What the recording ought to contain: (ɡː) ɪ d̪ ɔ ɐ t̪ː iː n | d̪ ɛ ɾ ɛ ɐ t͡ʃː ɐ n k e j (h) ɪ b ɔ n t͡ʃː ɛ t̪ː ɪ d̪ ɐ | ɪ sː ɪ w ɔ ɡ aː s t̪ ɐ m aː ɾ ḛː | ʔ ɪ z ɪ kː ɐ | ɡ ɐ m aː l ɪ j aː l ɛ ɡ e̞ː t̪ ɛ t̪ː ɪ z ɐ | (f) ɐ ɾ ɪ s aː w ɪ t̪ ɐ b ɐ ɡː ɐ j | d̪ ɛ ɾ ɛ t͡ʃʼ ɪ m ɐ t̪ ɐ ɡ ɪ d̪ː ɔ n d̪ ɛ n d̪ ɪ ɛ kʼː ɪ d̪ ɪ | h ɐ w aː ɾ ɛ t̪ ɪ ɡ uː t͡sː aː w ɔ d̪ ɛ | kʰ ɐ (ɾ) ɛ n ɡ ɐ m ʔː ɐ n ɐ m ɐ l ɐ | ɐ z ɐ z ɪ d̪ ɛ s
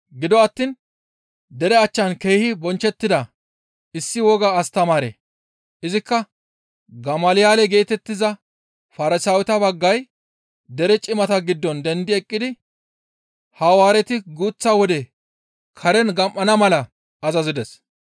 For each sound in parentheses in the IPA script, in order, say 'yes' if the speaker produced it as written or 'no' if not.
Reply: no, yes, yes, yes

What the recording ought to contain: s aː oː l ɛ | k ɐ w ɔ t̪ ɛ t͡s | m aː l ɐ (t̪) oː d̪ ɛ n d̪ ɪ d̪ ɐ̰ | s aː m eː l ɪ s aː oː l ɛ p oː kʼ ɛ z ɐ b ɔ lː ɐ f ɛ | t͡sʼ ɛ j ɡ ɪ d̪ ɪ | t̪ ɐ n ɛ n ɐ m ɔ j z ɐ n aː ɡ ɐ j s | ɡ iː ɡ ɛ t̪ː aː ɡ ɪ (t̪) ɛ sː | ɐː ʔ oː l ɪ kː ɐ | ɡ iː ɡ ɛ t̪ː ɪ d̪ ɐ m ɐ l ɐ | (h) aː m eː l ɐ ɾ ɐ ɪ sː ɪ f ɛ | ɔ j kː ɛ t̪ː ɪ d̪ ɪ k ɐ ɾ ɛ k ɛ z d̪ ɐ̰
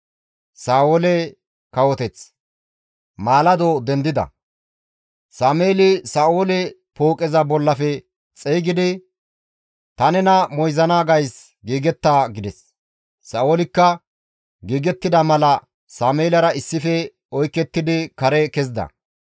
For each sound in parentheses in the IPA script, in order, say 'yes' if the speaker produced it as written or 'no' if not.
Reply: no, no, no

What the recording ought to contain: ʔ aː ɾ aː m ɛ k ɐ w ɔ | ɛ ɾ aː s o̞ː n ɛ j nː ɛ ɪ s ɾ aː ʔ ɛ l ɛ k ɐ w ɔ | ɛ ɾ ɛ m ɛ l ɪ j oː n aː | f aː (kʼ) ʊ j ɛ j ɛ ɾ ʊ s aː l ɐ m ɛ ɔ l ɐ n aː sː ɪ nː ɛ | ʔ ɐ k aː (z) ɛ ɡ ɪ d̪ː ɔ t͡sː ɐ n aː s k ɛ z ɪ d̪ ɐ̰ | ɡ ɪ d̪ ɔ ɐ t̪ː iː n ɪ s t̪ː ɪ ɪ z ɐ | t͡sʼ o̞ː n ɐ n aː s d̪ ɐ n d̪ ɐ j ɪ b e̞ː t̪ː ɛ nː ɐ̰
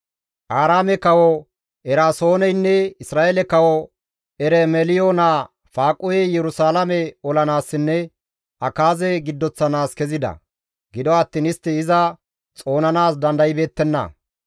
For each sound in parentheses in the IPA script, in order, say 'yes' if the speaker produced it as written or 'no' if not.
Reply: yes, yes

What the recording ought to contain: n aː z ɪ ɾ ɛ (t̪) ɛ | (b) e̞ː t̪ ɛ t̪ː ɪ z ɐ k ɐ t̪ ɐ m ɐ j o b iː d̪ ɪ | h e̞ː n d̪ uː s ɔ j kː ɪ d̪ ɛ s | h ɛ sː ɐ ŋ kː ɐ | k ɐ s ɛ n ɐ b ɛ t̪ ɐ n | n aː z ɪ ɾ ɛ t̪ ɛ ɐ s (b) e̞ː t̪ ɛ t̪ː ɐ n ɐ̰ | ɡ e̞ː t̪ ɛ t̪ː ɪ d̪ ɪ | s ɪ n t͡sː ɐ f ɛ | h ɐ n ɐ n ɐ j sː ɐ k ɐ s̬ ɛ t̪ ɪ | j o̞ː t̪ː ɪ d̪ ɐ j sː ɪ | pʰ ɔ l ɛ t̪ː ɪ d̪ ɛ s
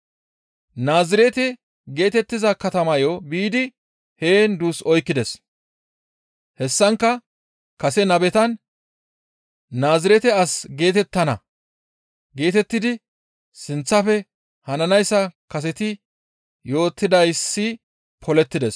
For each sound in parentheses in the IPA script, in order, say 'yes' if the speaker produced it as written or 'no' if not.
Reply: yes, no, no

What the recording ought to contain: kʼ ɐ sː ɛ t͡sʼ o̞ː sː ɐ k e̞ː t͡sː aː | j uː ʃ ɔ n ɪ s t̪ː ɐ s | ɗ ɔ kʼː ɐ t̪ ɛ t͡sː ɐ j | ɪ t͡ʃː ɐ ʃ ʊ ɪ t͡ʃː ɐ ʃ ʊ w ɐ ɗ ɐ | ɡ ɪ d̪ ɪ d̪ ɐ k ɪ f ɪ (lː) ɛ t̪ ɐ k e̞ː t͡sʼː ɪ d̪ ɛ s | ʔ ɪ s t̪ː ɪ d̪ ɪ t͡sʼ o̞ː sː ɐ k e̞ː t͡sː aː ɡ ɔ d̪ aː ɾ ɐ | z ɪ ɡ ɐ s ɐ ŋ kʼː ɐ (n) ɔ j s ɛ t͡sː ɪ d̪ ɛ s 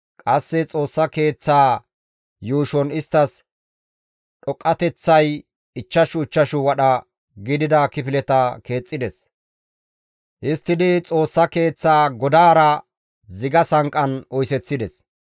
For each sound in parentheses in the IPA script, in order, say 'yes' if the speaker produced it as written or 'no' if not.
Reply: no, yes

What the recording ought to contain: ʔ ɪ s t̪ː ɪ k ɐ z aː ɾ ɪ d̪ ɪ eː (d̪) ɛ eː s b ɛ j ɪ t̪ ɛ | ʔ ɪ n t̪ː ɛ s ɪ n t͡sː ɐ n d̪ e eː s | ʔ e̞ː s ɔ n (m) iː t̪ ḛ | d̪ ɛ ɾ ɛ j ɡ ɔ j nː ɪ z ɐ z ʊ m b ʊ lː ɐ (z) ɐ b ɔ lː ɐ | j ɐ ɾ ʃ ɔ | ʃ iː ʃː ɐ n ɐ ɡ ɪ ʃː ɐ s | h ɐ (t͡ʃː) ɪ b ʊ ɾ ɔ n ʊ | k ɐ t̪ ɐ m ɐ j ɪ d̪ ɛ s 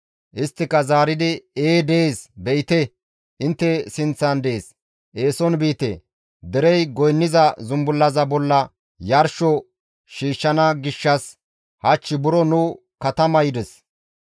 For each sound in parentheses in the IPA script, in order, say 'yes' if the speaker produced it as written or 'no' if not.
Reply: yes, no, yes, yes

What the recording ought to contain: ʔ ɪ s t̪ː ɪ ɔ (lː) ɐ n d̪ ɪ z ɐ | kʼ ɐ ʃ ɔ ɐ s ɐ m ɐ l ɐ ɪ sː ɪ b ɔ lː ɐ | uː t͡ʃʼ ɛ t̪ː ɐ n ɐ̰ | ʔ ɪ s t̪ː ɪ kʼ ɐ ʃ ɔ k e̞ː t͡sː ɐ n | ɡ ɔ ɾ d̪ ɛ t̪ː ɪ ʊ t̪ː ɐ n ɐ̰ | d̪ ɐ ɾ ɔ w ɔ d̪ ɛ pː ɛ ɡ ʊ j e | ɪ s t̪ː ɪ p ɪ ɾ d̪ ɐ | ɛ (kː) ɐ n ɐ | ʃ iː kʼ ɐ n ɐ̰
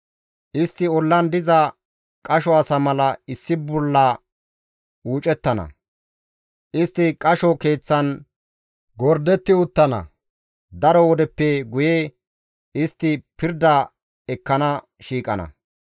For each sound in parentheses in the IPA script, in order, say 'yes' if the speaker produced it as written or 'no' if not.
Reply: yes, yes

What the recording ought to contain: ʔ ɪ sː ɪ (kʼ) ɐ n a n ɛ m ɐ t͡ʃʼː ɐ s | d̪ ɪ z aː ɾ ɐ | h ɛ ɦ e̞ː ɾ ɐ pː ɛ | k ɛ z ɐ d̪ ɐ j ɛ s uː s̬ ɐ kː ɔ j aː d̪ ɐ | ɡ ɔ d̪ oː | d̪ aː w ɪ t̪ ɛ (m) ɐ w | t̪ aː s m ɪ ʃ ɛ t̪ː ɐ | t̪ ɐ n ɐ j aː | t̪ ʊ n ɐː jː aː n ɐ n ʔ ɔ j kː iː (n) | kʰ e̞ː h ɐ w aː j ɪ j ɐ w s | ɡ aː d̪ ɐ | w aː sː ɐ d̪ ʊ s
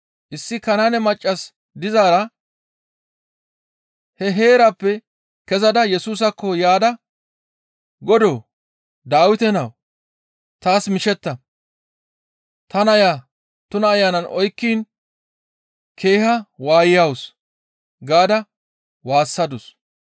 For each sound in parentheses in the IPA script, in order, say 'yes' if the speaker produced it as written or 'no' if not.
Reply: no, no, yes

